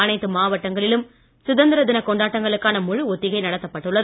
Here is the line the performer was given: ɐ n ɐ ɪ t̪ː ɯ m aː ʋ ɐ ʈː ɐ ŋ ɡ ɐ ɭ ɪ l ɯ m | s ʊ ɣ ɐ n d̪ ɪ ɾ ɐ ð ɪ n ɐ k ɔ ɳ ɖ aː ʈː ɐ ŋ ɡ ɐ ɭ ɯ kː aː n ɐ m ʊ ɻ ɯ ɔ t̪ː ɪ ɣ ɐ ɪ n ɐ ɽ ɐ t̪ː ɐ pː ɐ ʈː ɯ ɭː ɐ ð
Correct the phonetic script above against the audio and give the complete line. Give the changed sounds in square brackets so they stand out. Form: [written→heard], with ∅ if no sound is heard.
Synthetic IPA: ɐ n ɐ ɪ t̪ː ɯ m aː ʋ ɐ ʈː ɐ ŋ ɡ ɐ ɭ ɪ l ɯ m | s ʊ [ɣ→ð] ɐ n d̪ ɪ ɾ ɐ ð ɪ n ɐ k ɔ ɳ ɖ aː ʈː ɐ ŋ ɡ ɐ ɭ ɯ kː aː n ɐ m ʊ ɻ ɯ ɔ t̪ː ɪ ɣ ɐ ɪ n ɐ ɽ ɐ t̪ː ɐ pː ɐ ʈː ɯ ɭː ɐ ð